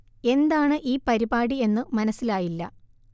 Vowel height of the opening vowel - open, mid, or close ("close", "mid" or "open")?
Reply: mid